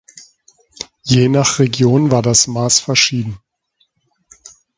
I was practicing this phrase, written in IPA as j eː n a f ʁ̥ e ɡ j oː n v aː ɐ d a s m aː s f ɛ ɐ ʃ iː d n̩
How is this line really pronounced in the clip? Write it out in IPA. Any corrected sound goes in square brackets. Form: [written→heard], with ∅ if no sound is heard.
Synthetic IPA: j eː n a [f→χ] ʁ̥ e ɡ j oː n v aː ɐ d a s m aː s f ɛ ɐ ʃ iː d n̩